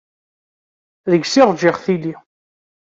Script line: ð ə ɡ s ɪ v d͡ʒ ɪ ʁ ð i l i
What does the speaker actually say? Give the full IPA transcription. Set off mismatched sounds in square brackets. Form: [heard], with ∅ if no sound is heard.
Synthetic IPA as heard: ð ə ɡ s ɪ [ʁ] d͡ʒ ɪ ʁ [θ] i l i

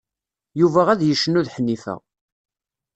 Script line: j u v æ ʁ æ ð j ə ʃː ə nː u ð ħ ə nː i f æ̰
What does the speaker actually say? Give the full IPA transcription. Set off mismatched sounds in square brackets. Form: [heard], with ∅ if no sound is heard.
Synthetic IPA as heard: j u v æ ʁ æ ð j ə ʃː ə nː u ð ħ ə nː i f æ̰

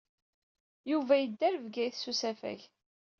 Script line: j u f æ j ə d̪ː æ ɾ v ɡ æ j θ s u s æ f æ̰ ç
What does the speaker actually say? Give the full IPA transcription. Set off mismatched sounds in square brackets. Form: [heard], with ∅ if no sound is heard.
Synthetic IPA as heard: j u [v] æ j ə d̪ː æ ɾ v ɡ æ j θ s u s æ f æ̰ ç

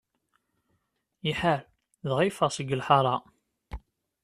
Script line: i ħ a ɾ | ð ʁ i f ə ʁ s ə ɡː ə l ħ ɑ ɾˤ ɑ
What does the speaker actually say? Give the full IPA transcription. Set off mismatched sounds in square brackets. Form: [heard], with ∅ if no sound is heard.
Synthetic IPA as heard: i ħ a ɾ | ð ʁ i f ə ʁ s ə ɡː ə l ħ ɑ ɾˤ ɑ

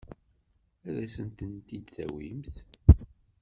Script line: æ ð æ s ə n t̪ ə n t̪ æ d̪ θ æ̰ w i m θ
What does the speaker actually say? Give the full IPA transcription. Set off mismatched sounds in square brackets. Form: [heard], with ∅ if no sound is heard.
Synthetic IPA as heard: æ ð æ s ə n t̪ ə n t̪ [i] d̪ θ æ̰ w i m θ

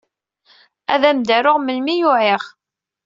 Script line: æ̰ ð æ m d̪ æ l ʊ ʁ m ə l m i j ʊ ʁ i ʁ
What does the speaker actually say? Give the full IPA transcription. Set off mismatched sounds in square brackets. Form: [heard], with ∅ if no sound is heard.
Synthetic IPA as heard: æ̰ ð æ m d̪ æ [ɾ] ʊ ʁ m ə l m i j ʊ [ʕ] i ʁ

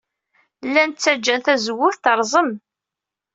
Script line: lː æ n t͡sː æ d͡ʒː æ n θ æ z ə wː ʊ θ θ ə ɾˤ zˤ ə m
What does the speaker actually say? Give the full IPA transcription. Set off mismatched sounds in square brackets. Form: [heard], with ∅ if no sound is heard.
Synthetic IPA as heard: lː æ n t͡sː æ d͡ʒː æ n θ æ z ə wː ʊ θ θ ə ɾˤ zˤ ə m

